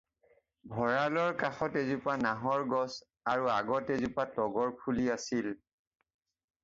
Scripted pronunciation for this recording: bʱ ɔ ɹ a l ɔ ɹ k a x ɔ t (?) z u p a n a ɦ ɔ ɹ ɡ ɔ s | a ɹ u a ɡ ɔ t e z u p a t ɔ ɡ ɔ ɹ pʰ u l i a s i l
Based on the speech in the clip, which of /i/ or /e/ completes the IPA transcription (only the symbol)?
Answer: e